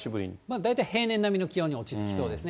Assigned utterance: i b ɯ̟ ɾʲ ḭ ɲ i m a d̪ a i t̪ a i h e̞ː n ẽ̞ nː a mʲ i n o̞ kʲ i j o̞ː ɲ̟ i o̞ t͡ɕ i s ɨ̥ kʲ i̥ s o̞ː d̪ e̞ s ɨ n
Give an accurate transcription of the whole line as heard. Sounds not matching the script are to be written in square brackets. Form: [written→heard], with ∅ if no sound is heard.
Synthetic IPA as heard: i b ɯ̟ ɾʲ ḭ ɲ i m a d̪ a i t̪ a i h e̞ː n ẽ̞ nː a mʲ i n o̞ kʲ i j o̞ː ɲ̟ i o̞ t͡ɕ i [s→t͡s] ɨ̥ kʲ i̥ s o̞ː d̪ e̞ s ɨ n